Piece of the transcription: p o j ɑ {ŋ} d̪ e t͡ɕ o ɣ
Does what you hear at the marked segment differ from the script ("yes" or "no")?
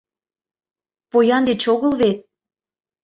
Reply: yes